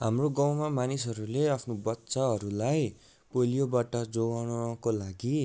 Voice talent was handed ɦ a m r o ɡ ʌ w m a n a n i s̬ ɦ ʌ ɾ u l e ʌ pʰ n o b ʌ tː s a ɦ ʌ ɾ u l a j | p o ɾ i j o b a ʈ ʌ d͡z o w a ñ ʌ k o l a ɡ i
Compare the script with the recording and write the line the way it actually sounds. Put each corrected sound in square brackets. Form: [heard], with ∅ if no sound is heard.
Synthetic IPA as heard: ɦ a m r o ɡ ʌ w m a [m] a n i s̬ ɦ ʌ ɾ u l e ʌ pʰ n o b ʌ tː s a ɦ ʌ ɾ u l a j | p o [l] i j o b a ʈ ʌ d͡z o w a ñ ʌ k o l a ɡ i